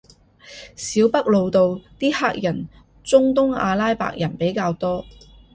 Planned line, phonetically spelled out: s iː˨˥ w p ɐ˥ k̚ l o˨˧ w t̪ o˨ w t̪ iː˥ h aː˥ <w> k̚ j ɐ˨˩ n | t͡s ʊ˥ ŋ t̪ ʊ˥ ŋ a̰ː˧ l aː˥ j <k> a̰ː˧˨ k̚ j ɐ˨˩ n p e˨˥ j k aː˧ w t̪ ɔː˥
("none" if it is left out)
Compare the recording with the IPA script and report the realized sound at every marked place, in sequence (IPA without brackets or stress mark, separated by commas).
none, p